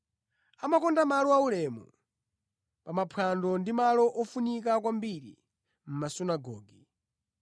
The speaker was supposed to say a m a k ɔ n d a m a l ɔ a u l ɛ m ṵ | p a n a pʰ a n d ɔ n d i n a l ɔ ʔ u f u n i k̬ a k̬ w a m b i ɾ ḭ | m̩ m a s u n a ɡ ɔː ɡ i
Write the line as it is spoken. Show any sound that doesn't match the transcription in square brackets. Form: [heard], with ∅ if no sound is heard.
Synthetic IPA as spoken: a m a k ɔ n d a m a l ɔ a u l ɛ m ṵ | p a [m] a pʰ a n d ɔ n d i [m] a l ɔ ʔ [ɔ] f u n i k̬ a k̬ w a m b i ɾ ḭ | m̩ m a s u n a ɡ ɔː ɡ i